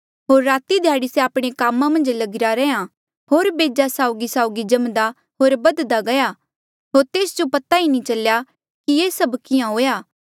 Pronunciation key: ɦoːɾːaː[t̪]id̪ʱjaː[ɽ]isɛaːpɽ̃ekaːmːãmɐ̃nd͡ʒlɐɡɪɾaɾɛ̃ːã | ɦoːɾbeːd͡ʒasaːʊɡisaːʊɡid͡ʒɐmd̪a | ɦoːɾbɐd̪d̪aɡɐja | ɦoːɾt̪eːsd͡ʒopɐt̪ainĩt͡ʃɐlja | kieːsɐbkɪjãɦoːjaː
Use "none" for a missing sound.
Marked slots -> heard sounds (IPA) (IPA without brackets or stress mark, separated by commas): t̪, ɽ